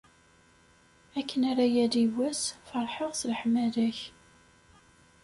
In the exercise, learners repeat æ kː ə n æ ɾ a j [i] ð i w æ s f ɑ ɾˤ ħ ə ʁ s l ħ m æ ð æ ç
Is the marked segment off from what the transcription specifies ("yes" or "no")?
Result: yes